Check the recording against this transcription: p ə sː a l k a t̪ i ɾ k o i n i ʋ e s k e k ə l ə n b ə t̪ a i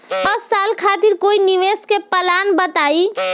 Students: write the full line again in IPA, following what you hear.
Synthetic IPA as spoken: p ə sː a l kʰ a t̪ i ɾ k o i n i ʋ e s k e p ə l a n b ə t̪ a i